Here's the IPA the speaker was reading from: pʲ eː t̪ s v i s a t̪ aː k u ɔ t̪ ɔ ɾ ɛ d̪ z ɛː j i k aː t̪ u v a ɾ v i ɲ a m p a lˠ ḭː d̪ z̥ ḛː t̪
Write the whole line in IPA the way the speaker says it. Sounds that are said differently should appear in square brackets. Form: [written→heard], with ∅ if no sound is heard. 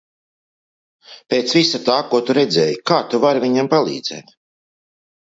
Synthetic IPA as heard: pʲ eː t̪ s v i s a t̪ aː k u ɔ t̪ [ɔ→u] ɾ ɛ d̪ z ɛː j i k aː t̪ u v a ɾ v i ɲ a m p a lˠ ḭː d̪ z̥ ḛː t̪

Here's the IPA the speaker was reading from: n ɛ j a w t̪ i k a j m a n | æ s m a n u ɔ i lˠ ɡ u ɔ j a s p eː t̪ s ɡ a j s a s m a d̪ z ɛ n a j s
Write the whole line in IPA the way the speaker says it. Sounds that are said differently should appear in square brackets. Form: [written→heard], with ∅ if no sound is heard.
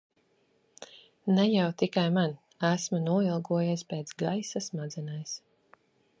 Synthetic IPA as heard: n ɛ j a w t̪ i k a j m a n | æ s m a n u ɔ i lˠ ɡ u ɔ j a s p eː t̪ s ɡ a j s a s m a d̪ z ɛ n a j s

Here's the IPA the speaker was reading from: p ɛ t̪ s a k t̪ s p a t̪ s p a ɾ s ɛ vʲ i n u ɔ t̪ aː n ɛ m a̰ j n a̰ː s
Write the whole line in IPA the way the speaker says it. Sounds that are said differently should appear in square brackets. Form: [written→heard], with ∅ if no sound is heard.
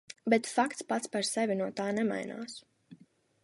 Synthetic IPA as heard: [p→b] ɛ t̪ [s→f] a k t̪ s p a t̪ s p a ɾ s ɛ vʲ i n u ɔ t̪ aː n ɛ m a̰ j n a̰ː s

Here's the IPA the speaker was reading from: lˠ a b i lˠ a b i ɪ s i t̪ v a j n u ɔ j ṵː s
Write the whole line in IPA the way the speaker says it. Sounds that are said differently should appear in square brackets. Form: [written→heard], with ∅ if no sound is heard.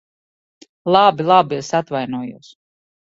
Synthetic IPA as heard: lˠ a b i lˠ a b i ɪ s [i→a] t̪ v a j n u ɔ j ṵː s

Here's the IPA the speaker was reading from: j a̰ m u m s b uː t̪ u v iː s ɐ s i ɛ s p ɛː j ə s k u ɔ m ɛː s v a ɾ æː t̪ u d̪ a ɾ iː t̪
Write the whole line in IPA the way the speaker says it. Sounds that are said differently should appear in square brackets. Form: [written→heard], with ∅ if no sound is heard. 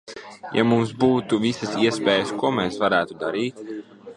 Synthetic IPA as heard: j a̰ m u m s b uː t̪ u v [iː→i] s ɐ s i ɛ s p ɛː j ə s k u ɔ m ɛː s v a ɾ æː t̪ u d̪ a ɾ iː t̪

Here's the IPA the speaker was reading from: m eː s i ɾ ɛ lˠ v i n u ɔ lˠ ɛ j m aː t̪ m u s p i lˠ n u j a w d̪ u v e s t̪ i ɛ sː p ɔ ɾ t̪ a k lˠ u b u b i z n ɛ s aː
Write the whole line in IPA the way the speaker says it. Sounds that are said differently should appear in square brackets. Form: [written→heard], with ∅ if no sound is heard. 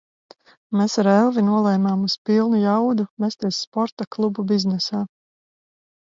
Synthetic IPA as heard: m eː s [i→a] ɾ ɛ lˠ v i n u ɔ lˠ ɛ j m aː [t̪→∅] m u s p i lˠ n u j a w d̪ u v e s t̪ i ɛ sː p ɔ ɾ t̪ a k lˠ u b u b i z n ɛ s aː

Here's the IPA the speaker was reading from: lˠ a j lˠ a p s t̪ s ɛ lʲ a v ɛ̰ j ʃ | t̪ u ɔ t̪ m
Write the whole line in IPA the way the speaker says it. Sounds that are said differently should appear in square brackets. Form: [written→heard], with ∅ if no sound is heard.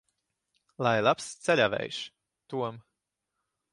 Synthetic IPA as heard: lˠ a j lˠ a p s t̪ s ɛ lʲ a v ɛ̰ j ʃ | t̪ u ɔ [t̪→∅] m

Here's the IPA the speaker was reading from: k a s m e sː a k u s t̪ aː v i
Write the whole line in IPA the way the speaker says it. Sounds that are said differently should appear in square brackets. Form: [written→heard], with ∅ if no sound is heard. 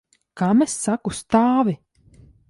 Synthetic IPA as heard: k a [s→∅] m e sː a k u s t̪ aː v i

